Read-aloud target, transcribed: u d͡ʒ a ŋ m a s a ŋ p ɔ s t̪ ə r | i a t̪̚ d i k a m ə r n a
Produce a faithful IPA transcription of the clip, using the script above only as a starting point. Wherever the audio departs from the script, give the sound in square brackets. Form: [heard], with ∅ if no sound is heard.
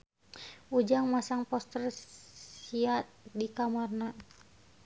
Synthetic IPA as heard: u d͡ʒ a ŋ m a s a ŋ p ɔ s t̪ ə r | i a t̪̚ d i k a m [a] r n a